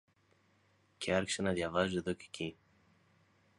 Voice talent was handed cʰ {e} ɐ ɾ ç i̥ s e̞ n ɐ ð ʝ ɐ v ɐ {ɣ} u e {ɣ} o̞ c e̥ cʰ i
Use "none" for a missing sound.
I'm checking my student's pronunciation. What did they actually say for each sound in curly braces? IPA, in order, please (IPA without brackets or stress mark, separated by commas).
e, z, ð